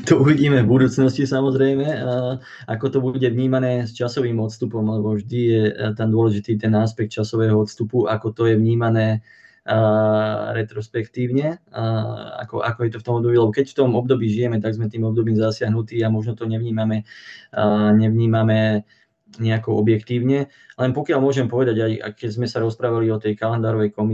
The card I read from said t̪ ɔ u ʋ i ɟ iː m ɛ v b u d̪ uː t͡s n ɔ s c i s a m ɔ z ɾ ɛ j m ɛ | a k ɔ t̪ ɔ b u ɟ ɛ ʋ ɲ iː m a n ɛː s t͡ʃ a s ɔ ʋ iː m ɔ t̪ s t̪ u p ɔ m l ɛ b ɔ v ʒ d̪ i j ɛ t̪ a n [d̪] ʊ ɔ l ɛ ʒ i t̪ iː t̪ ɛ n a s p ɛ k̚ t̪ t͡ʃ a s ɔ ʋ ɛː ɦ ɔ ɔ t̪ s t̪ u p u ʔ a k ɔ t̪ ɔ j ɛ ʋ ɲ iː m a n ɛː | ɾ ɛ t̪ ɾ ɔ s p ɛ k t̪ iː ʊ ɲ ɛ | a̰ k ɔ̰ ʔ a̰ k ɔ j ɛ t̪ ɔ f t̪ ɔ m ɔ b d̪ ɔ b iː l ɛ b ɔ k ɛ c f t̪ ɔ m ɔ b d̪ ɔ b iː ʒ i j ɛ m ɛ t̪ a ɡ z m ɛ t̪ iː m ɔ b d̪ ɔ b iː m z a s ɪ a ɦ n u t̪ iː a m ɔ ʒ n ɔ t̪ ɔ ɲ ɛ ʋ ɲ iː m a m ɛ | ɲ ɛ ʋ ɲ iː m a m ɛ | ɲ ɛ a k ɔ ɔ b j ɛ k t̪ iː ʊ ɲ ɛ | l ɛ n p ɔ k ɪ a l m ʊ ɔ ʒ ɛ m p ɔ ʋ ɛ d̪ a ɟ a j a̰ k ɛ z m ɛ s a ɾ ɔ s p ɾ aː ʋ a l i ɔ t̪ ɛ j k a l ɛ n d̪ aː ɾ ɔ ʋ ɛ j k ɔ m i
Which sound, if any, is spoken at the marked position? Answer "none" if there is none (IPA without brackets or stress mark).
d̪